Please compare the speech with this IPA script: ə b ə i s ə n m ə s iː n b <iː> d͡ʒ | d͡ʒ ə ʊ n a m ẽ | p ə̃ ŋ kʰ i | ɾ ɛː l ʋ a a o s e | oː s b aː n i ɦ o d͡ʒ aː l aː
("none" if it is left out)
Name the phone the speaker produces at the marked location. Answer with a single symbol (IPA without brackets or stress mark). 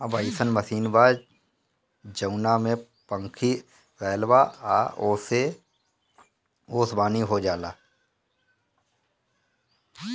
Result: aː